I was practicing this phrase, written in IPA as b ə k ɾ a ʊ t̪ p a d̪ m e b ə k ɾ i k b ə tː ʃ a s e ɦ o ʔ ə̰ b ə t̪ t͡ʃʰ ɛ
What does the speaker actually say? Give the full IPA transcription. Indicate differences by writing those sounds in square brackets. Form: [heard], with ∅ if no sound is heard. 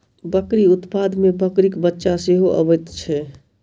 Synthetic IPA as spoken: b ə k ɾ [i] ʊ t̪ p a d̪ m e b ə k ɾ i k b ə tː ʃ a s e ɦ o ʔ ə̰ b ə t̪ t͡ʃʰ ɛ